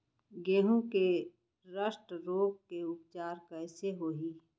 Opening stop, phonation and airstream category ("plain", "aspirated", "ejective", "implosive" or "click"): plain